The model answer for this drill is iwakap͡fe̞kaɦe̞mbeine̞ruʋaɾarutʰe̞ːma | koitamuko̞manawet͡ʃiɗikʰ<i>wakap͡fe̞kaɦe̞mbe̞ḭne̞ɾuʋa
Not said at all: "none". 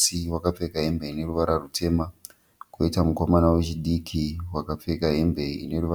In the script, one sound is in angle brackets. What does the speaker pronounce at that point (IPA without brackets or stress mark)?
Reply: i